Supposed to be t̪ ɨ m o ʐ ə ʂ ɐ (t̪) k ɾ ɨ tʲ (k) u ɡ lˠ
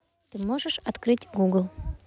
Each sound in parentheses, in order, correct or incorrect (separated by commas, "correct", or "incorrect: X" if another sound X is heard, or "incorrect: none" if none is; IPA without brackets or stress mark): correct, incorrect: ɡ